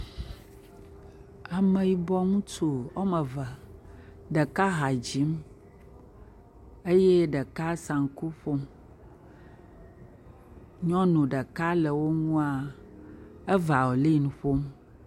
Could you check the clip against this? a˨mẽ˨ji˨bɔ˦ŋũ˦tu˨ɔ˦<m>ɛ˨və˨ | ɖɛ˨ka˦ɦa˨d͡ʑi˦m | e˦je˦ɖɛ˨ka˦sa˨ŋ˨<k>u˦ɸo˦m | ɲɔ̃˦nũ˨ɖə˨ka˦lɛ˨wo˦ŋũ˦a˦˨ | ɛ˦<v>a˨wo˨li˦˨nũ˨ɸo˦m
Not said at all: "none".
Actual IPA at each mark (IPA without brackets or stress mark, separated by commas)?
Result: m, k, v